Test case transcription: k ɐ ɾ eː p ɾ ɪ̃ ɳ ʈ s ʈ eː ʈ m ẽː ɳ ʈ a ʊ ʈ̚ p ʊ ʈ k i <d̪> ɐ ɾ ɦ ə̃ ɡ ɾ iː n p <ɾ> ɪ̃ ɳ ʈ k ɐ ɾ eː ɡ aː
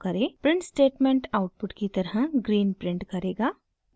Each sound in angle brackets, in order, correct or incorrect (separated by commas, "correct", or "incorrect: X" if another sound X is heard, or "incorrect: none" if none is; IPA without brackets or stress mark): incorrect: t̪, correct